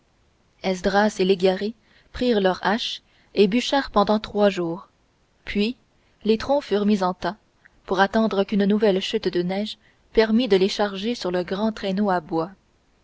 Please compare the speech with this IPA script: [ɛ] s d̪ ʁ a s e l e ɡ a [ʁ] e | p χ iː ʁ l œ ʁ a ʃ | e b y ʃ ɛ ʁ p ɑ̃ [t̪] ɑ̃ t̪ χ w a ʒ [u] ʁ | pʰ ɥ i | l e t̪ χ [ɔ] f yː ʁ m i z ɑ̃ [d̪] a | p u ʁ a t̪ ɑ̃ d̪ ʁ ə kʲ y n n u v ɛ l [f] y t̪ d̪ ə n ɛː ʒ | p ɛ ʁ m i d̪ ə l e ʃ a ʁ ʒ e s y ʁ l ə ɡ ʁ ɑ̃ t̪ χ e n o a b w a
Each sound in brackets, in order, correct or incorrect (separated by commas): correct, correct, incorrect, incorrect, incorrect, incorrect, incorrect